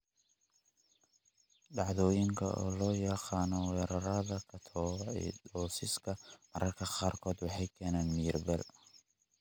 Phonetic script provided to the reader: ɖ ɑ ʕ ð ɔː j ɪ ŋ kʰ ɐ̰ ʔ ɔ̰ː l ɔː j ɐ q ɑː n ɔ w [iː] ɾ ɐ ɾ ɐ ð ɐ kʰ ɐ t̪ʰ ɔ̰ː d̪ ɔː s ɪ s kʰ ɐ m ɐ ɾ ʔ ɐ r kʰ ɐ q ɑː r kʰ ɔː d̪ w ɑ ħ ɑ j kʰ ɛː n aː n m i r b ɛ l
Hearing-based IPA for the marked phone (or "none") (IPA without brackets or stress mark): ɛː